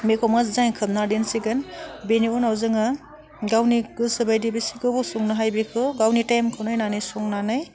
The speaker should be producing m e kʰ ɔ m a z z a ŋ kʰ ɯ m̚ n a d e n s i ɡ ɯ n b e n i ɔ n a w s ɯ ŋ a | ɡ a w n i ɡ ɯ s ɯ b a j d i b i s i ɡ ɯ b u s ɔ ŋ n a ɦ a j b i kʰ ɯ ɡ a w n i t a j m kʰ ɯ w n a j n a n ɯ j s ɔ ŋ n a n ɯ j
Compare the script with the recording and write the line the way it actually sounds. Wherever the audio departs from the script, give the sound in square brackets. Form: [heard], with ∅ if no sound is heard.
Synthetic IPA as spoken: m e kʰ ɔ m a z z a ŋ kʰ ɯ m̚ n a d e n s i ɡ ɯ n b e n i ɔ n a w [z] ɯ ŋ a | ɡ a w n i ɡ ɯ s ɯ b a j d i b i s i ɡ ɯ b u s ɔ ŋ n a ɦ a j b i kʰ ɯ ɡ a w n i t a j m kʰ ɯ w n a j n a n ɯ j s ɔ ŋ n a n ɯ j